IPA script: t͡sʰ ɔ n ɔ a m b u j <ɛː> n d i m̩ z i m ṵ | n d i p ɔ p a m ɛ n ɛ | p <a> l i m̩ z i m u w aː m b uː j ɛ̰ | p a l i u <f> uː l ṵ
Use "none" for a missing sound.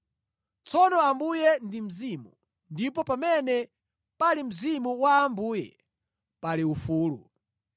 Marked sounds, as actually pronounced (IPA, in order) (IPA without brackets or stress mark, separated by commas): ɛ, a, f